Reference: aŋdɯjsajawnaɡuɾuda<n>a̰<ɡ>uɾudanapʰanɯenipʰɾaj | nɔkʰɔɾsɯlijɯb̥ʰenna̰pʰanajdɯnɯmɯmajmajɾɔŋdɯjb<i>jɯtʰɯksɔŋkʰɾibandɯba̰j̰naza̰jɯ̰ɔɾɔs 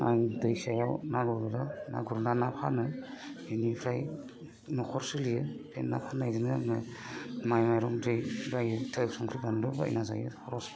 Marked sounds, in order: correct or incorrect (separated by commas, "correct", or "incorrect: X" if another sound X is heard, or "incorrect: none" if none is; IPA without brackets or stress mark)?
correct, correct, incorrect: a